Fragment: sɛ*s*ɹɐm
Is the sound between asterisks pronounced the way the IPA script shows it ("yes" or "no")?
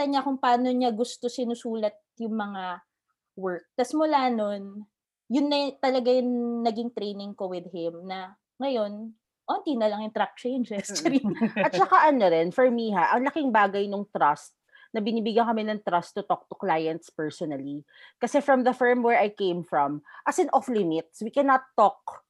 no